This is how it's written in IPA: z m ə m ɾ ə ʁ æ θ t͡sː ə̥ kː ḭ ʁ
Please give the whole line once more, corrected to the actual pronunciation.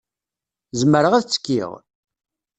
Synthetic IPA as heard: z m ə ɾ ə ʁ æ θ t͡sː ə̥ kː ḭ ʁ